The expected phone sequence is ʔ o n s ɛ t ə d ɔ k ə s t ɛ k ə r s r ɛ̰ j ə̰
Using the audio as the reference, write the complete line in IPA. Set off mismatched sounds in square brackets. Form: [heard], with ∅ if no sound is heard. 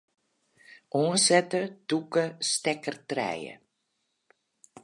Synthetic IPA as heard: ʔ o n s ɛ t ə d [u] k ə s t ɛ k ə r [t] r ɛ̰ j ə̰